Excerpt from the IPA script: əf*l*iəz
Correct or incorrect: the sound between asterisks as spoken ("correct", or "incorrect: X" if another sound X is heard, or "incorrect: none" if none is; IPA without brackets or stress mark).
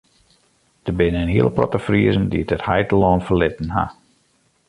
incorrect: r